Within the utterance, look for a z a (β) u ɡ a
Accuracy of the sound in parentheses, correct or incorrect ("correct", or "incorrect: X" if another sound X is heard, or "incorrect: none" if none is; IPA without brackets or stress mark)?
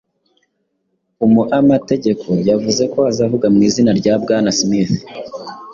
incorrect: v